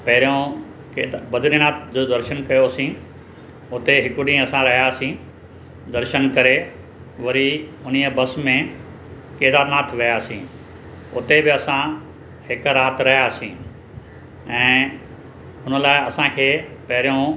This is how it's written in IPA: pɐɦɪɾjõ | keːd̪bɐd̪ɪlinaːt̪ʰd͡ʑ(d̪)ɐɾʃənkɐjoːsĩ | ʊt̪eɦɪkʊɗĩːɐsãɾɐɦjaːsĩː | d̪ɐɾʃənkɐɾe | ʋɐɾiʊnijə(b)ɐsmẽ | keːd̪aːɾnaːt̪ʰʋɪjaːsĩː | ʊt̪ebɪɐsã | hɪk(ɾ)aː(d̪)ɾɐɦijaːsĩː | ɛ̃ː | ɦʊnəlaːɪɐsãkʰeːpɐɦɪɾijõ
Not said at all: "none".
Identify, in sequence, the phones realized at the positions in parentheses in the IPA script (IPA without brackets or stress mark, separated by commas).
d̪, b, ɾ, t̪